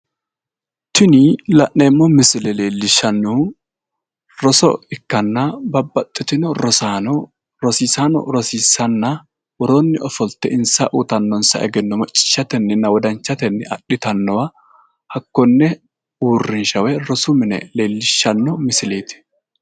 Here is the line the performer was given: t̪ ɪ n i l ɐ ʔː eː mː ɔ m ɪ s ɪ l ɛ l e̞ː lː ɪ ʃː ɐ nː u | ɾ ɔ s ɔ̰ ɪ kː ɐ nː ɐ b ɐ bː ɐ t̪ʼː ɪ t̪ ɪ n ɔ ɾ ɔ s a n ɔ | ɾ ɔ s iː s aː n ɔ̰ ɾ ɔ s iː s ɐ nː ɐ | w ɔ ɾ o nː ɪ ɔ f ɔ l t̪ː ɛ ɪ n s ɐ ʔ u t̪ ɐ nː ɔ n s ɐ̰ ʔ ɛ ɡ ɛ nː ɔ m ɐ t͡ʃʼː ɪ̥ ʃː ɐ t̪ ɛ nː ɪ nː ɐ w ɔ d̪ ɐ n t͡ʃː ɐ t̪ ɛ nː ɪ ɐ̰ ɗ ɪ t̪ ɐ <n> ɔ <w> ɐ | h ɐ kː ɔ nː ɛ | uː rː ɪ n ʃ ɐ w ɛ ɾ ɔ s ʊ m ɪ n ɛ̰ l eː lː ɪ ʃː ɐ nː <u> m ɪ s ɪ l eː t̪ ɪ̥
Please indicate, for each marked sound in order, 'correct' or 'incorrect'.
incorrect: nː, correct, incorrect: ɔ

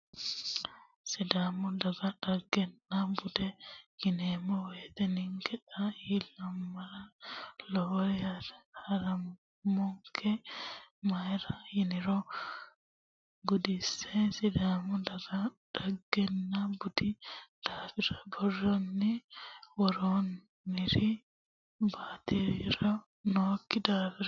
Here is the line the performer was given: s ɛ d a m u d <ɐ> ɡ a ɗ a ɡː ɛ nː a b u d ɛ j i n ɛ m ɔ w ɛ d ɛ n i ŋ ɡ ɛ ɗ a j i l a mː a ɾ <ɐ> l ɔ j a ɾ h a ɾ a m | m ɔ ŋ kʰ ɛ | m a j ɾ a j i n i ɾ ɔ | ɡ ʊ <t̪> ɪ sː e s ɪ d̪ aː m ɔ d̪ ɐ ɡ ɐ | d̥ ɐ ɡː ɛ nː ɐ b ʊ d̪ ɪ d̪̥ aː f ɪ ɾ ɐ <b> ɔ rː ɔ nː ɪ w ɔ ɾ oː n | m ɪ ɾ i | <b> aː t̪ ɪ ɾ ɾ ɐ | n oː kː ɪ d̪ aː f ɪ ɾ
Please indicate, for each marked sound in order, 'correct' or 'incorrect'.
incorrect: a, incorrect: a, incorrect: d̪, correct, correct

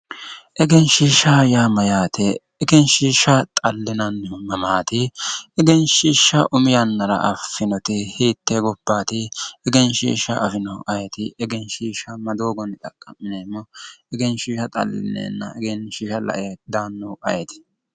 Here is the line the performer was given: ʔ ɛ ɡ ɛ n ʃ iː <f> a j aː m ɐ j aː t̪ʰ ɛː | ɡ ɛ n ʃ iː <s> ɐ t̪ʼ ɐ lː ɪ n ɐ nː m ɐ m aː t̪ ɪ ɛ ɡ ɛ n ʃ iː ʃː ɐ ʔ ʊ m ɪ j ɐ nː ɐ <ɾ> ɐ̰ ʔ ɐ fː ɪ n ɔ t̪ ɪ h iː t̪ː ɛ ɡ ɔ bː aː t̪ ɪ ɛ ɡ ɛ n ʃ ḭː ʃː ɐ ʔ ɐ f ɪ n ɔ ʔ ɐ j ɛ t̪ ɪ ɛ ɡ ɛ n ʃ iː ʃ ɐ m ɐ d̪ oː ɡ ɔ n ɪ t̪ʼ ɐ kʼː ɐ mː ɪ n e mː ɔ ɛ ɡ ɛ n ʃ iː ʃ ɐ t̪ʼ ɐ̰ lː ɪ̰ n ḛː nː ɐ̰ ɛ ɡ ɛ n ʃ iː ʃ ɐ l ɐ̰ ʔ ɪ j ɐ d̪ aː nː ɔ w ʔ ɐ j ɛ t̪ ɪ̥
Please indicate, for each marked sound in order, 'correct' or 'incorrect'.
incorrect: ʃ, incorrect: ʃ, correct

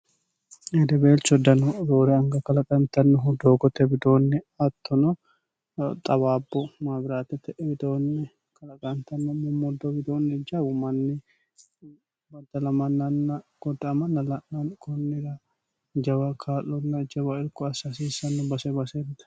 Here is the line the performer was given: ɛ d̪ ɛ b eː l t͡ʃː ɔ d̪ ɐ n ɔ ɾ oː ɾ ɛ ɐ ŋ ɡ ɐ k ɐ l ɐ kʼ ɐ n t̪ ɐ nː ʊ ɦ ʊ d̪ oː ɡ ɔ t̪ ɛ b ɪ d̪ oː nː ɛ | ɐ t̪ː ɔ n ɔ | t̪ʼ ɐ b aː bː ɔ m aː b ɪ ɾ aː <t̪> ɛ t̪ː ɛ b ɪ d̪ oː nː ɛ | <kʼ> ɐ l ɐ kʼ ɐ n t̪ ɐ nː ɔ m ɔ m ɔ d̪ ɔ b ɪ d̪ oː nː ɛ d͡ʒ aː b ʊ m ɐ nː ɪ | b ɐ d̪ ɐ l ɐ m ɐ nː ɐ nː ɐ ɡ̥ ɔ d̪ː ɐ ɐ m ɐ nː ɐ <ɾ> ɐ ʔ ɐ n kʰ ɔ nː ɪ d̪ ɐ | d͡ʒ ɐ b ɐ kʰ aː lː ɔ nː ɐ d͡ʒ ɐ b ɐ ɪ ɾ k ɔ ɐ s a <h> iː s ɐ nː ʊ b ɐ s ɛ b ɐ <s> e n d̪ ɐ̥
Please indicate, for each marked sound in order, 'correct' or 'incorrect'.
correct, incorrect: k, incorrect: l, incorrect: s, correct

